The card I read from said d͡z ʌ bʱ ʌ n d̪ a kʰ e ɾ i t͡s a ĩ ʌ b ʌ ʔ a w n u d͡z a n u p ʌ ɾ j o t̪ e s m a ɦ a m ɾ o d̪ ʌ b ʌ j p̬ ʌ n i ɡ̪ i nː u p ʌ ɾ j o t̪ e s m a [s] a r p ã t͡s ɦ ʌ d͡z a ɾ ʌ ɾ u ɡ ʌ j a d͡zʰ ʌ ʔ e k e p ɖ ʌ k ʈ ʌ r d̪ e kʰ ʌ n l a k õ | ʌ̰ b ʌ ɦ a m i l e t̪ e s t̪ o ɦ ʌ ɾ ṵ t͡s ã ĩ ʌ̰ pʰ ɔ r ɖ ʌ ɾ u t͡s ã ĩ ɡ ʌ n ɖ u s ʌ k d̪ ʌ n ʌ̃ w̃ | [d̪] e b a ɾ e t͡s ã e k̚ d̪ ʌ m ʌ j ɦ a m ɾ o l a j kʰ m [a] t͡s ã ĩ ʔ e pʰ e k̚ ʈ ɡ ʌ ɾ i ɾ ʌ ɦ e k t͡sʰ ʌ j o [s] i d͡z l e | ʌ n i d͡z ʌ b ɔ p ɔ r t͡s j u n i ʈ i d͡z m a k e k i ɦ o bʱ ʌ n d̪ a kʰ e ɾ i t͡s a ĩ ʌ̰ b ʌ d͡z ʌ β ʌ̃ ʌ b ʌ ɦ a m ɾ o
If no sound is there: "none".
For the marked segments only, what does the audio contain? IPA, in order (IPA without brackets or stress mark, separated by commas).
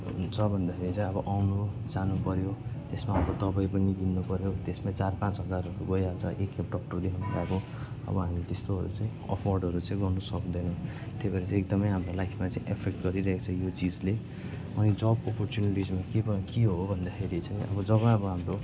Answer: t͡s, t̪, a, t͡s